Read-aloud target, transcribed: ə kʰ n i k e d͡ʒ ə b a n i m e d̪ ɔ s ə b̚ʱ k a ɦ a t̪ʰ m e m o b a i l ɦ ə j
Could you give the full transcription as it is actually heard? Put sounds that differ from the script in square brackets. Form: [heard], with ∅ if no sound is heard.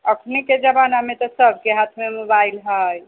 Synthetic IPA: ə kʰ n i k e d͡ʒ ə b a n [a] m e [t̪] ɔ s ə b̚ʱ k [e] ɦ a t̪ʰ m e m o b a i l ɦ ə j